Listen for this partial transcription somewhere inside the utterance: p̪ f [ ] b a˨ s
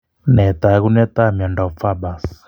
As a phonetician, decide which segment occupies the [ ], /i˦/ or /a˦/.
a˦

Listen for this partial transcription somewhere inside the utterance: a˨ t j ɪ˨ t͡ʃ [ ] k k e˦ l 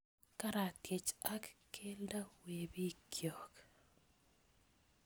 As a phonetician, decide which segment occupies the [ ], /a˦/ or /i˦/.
a˦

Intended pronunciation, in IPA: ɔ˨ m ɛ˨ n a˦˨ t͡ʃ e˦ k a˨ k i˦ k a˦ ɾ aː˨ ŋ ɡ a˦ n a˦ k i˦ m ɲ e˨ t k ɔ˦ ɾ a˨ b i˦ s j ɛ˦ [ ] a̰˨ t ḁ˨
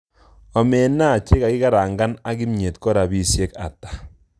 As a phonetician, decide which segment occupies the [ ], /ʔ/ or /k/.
k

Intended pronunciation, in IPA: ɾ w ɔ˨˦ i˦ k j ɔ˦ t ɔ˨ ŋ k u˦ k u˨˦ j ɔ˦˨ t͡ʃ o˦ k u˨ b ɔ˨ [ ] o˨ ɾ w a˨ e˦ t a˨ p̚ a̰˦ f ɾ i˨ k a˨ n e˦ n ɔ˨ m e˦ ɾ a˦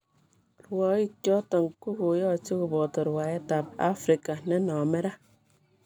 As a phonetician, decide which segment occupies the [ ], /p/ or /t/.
t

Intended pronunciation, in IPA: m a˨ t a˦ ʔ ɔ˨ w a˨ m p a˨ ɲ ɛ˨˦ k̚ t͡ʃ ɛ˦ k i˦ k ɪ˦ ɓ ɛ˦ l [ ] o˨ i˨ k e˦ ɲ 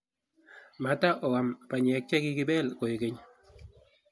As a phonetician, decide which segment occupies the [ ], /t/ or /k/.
k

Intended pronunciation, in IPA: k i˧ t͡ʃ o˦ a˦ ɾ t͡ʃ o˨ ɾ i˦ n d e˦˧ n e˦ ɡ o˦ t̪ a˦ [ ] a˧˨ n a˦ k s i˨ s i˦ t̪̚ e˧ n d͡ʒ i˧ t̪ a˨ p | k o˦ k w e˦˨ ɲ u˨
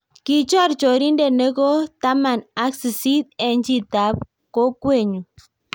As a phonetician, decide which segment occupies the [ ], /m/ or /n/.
m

